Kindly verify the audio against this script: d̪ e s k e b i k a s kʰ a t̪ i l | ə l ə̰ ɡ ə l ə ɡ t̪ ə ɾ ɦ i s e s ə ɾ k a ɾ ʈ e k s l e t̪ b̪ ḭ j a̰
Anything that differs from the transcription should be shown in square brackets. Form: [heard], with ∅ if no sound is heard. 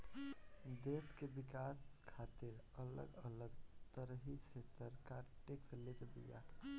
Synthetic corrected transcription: d̪ e s k e b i k a s kʰ a t̪ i [ɾ] | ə l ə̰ ɡ ə l ə ɡ t̪ ə ɾ ɦ i s e s ə ɾ k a ɾ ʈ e k s l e t̪ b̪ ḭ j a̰